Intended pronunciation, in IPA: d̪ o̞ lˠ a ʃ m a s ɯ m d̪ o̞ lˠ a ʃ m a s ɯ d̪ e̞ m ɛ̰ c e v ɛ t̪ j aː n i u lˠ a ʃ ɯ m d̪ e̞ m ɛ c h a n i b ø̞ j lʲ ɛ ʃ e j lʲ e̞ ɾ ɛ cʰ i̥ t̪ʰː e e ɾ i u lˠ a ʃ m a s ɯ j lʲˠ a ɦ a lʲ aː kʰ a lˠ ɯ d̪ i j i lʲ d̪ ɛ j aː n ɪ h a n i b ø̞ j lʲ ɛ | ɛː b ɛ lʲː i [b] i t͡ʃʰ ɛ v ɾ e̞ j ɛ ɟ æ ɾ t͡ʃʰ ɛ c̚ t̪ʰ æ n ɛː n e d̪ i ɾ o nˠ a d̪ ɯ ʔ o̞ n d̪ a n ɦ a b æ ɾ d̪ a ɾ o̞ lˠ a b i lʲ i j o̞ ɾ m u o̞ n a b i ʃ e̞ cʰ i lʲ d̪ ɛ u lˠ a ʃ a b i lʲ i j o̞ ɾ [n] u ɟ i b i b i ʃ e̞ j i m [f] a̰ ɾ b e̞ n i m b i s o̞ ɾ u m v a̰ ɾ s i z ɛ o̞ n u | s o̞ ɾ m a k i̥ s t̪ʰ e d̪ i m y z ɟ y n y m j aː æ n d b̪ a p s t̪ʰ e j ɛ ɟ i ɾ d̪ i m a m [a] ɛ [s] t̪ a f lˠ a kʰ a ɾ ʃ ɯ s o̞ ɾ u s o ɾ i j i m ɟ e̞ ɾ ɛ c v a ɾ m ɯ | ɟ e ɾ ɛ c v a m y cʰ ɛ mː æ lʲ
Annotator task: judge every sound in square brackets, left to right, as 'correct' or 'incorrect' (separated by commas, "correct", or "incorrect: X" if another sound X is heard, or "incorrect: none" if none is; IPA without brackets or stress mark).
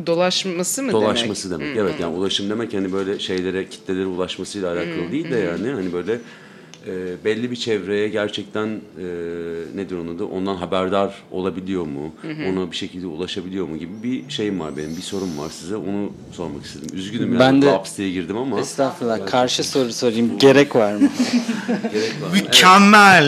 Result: correct, incorrect: m, incorrect: v, correct, correct